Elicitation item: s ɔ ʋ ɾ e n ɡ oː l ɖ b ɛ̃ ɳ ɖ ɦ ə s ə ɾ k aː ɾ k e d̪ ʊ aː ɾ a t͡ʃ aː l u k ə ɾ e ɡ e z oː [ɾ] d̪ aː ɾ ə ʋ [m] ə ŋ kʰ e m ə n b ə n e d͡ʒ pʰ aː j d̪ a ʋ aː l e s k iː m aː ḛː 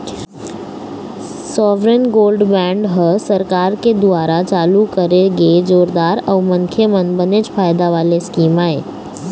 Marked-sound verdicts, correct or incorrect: correct, correct

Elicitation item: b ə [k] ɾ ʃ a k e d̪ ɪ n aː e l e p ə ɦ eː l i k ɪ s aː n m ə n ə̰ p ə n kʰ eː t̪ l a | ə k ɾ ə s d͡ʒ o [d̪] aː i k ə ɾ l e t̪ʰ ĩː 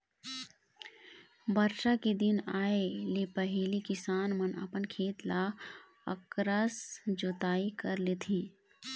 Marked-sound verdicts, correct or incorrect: incorrect: none, incorrect: t̪

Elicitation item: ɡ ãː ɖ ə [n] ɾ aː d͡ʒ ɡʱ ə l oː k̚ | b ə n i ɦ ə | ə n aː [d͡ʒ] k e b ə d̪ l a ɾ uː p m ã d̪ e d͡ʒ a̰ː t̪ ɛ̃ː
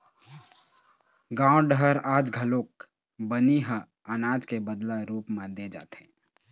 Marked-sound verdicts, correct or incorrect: incorrect: none, correct

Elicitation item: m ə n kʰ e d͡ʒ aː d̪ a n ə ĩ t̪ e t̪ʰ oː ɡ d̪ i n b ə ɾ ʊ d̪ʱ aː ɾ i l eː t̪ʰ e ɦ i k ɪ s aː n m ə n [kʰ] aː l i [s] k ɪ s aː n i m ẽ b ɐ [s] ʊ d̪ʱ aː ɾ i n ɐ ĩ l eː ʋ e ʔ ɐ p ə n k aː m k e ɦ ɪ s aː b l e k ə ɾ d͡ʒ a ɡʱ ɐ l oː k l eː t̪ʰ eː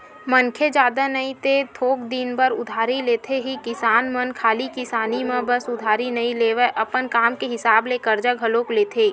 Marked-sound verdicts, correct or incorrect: correct, incorrect: none, correct

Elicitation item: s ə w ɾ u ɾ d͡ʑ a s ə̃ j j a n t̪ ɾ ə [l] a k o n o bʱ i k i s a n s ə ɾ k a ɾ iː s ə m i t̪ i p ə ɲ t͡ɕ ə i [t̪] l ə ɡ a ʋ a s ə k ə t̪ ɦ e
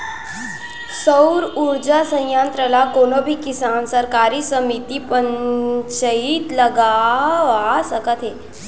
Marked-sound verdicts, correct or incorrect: correct, correct

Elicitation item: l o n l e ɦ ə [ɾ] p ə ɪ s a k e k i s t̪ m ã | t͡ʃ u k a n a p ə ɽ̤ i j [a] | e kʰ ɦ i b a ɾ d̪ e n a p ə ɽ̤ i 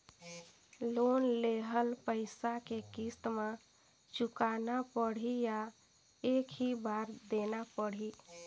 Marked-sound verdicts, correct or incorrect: incorrect: l, correct

